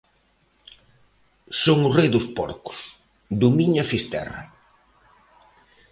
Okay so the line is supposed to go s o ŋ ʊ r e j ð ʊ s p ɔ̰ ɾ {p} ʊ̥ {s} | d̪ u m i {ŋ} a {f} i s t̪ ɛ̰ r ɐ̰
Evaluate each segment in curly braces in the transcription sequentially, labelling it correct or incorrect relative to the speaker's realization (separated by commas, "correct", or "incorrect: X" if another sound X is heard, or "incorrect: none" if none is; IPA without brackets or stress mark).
incorrect: k, correct, incorrect: ɲ, correct